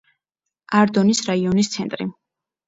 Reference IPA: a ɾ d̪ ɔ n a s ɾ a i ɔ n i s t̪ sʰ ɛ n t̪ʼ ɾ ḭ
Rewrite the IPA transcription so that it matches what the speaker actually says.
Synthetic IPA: a ɾ d̪ ɔ n i s ɾ a i ɔ n i s t̪ sʰ ɛ n t̪ʼ ɾ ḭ

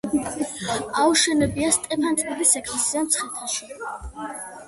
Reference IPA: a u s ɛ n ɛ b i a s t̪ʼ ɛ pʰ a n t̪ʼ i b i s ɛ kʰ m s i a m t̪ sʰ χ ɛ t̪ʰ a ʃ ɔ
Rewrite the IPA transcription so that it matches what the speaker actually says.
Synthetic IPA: a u ʃ ɛ n ɛ b i a s t̪ʼ ɛ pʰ a n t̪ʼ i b i s ɛ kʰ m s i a m t̪ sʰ χ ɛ t̪ʰ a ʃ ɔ

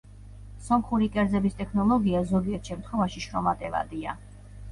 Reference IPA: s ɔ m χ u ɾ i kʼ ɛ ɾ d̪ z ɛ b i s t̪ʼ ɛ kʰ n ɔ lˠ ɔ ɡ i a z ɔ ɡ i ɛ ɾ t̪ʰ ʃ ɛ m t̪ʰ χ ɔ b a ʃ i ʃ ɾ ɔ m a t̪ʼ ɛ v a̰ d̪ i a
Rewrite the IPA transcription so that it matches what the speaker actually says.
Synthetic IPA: s ɔ m χ u ɾ i kʼ ɛ ɾ d̪ z ɛ b i s t̪ʼ ɛ kʰ n ɔ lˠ ɔ ɡ i a z ɔ ɡ i ɛ ɾ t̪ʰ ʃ ɛ m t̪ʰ χ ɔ v a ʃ i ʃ ɾ ɔ m a t̪ʼ ɛ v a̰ d̪ i a

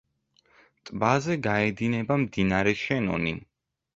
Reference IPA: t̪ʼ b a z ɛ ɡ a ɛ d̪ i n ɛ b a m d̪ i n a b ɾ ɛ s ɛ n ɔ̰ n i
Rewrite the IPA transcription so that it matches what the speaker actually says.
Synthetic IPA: t̪ʼ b a z ɛ ɡ a ɛ d̪ i n ɛ b a m d̪ i n a ɾ ɛ ʃ ɛ n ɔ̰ n i

